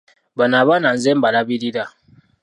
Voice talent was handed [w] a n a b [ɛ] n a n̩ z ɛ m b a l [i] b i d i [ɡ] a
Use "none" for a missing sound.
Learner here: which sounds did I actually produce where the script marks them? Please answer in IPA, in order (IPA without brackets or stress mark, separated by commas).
b, a, a, d